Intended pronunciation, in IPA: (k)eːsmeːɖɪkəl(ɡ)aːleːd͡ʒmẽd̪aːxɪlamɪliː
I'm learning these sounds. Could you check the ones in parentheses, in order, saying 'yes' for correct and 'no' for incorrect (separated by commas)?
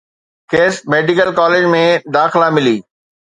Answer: yes, no